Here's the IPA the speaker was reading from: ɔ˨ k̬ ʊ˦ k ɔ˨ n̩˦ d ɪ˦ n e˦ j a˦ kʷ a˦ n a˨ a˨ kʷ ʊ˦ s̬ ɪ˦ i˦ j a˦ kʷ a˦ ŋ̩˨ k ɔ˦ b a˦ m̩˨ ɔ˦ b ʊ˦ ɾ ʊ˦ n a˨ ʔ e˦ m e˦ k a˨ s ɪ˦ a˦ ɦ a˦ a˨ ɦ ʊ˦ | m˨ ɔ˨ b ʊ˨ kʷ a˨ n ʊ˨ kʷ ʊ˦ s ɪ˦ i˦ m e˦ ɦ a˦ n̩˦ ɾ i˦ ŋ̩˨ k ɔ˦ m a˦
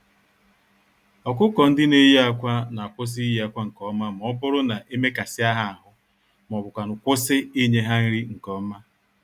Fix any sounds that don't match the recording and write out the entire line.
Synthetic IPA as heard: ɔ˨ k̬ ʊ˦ k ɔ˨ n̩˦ d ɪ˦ n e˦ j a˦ kʷ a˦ n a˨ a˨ kʷ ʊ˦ s̬ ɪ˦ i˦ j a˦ kʷ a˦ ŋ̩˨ k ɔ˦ m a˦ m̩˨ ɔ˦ b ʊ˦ ɾ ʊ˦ n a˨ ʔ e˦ m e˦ k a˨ s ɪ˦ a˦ ɦ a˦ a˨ ɦ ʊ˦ | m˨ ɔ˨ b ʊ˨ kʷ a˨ n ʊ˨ kʷ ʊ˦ s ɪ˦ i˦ ɲ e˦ ɦ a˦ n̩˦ ɾ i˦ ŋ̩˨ k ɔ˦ m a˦

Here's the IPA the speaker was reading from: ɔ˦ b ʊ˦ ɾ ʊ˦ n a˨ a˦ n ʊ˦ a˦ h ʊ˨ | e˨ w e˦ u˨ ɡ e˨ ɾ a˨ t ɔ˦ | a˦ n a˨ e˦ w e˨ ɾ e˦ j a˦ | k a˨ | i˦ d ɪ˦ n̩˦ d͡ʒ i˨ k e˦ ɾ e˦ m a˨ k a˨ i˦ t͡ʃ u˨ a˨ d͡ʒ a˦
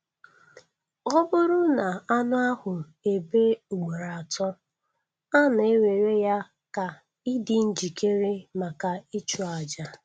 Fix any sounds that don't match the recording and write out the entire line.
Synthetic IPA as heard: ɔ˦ b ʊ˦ ɾ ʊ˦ n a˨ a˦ n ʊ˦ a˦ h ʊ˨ | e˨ b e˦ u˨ ɡ͡b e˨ ɾ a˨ t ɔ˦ | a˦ n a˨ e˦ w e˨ ɾ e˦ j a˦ | k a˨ | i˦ d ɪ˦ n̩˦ d͡ʒ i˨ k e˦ ɾ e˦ m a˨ k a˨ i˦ t͡ʃ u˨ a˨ d͡ʒ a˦

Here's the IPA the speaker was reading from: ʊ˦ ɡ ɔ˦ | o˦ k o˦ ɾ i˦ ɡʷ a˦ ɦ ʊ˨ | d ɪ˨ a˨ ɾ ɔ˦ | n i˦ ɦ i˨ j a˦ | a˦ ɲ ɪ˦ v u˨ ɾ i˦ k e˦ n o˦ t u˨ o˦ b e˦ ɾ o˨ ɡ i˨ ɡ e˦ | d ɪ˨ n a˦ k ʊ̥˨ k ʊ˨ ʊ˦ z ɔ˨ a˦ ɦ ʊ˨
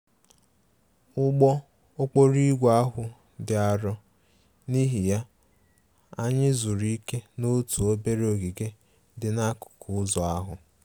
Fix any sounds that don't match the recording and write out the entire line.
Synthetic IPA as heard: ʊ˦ ɡ͡b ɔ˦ | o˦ k͡p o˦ ɾ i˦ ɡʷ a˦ ɦ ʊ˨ | d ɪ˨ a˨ ɾ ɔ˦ | n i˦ ɦ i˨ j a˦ | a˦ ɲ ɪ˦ z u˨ ɾ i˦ k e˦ n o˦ t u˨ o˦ b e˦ ɾ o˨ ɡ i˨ ɡ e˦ | d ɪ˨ n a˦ k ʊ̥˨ k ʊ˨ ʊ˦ z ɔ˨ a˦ ɦ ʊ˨

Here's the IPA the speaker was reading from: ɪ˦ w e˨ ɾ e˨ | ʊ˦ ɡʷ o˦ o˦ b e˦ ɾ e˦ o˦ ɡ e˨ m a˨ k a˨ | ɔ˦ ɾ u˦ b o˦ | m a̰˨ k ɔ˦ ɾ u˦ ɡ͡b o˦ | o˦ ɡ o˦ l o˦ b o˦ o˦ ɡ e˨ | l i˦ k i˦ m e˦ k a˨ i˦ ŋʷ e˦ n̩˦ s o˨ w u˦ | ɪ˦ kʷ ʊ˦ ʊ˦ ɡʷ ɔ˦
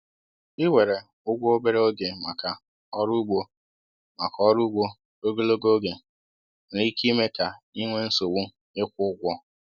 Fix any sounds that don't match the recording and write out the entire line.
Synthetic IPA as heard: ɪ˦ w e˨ ɾ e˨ | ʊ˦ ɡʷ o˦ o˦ b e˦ ɾ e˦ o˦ ɡ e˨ m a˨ k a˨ | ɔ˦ ɾ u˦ ɡ͡b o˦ | m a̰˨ k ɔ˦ ɾ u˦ ɡ͡b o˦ | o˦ ɡ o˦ l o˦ ɡ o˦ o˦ ɡ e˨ | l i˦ k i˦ m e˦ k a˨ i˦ ŋʷ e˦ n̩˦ s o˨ w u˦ | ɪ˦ kʷ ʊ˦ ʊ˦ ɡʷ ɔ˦

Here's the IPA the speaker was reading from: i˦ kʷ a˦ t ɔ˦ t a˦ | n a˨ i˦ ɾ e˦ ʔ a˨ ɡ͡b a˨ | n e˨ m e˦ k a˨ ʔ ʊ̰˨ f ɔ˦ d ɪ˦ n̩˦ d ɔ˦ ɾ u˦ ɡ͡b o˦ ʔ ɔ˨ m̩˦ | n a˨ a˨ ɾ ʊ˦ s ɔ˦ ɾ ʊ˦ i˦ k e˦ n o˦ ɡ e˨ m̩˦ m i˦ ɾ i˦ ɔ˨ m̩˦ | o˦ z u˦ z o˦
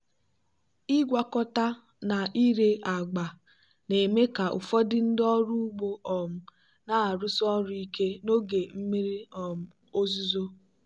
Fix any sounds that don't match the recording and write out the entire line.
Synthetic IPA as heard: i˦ ɡʷ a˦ k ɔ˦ t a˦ | n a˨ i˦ ɾ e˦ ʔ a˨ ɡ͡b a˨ | n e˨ m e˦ k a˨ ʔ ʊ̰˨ f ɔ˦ d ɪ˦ n̩˦ d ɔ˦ ɾ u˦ ɡ͡b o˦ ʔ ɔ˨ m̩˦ | n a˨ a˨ ɾ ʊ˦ s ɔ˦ ɾ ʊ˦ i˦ k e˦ n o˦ ɡ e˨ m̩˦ m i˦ ɾ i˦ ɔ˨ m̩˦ | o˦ z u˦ z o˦

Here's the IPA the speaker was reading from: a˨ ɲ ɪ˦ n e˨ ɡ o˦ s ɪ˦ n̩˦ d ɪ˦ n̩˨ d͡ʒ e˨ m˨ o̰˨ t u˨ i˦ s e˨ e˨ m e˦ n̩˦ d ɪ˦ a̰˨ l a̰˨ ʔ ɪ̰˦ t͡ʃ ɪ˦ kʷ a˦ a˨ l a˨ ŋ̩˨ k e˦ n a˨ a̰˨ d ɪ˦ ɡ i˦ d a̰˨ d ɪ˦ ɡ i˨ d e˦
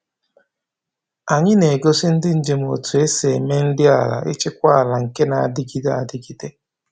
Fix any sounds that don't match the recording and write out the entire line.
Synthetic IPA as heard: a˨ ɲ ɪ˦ n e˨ ɡ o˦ s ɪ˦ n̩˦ d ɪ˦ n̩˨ d͡ʒ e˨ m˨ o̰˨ t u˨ e˦ s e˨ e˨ m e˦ n̩˦ d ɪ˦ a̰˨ l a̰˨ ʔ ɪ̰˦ t͡ʃ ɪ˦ kʷ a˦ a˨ l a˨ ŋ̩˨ k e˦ n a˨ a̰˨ d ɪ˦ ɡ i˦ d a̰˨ d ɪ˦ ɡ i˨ d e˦

